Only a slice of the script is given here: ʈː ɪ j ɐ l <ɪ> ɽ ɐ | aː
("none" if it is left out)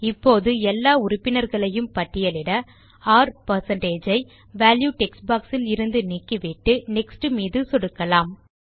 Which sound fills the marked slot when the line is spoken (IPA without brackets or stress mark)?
ɪ